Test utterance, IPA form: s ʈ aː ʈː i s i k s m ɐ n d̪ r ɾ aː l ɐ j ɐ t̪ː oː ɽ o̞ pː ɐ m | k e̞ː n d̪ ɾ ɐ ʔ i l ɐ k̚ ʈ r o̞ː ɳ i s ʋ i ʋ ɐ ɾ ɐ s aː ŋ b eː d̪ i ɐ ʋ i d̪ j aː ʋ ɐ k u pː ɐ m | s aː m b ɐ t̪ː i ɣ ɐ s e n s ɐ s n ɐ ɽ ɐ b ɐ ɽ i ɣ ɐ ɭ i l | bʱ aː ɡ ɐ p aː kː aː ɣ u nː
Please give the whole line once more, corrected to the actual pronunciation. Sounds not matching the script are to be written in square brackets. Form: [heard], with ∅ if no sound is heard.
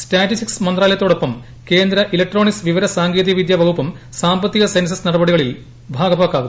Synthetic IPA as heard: s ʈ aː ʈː i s i k s m ɐ n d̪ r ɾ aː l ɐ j ɐ t̪ː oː ɽ o̞ pː ɐ m | k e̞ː n d̪ ɾ ɐ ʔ i l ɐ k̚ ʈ r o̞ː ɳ i s ʋ i ʋ ɐ ɾ ɐ s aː ŋ [ɡ] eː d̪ i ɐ ʋ i d̪ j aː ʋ ɐ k u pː ɐ m | s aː m b ɐ t̪ː i ɣ ɐ s e n s ɐ s n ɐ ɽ ɐ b ɐ ɽ i ɣ ɐ ɭ i l | bʱ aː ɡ ɐ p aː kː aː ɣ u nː